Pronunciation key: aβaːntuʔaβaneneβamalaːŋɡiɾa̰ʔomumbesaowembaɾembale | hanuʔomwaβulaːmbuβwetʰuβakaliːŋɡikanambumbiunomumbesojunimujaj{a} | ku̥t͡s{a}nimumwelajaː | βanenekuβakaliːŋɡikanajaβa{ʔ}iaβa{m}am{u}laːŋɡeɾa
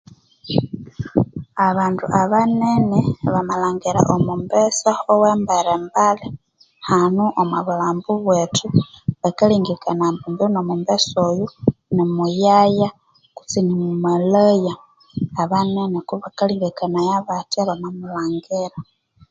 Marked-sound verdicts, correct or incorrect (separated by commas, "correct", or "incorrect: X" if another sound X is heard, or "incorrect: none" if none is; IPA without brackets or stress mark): correct, incorrect: i, incorrect: t, correct, correct